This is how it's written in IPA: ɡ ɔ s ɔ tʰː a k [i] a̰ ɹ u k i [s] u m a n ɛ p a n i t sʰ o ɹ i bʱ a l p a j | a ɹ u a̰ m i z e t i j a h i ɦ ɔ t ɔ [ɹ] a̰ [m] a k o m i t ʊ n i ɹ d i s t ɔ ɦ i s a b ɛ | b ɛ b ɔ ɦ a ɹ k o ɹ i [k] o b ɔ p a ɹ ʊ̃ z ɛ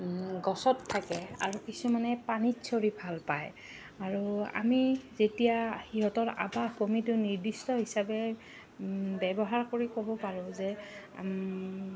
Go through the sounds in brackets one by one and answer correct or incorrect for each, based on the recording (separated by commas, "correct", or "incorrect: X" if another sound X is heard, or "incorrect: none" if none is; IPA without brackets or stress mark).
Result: incorrect: ɛ, correct, correct, incorrect: b, correct